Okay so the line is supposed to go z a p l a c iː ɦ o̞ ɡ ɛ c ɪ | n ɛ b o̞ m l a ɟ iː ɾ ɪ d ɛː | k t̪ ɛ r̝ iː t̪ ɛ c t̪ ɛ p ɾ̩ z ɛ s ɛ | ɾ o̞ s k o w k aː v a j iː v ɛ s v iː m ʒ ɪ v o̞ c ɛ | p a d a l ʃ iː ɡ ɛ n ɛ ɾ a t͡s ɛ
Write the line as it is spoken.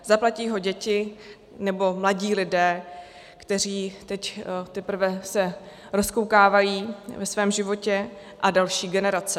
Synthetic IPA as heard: z a p l a c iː ɦ o̞ ɟ ɛ c ɪ | n ɛ b o̞ m l a ɟ iː l ɪ d ɛː | k t̪ ɛ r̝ iː t̪ ɛ c t̪ ɛ p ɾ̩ v ɛ s ɛ | ɾ o̞ s k o w k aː v a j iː v ɛ s v ɛː m ʒ ɪ v o̞ c ɛ | ʔ a d a l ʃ iː ɡ ɛ n ɛ ɾ a t͡s ɛ